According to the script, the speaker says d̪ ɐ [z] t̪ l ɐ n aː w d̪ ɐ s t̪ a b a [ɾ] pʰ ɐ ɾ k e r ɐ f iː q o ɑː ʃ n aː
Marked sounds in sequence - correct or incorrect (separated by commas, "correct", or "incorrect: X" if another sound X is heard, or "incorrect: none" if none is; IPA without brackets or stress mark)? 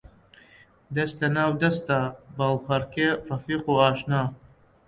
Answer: incorrect: s, incorrect: l